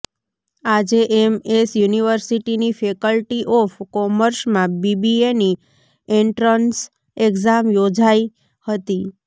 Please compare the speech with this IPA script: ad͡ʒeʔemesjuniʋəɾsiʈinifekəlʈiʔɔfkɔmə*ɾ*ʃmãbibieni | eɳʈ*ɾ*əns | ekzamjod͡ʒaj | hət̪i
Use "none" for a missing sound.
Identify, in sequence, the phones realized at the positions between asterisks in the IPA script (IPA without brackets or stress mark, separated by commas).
ɾ, ɾ